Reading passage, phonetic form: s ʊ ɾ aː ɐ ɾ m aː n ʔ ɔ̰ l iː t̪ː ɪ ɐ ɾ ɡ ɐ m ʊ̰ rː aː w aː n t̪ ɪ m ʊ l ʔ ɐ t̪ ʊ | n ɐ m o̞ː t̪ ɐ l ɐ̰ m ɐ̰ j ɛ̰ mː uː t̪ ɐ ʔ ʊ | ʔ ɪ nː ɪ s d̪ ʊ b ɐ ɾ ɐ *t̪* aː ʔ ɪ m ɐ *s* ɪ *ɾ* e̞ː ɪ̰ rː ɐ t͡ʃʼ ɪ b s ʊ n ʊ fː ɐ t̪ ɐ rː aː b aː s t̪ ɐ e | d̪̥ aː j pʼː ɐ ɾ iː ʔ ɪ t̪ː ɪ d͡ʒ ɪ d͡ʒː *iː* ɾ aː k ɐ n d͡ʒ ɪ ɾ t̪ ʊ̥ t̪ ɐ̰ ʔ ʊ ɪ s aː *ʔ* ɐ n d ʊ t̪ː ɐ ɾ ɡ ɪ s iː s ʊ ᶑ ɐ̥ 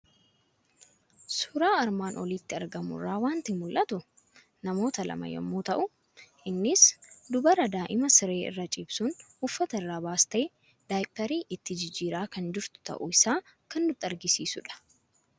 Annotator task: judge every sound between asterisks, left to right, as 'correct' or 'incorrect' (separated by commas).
incorrect, correct, correct, correct, incorrect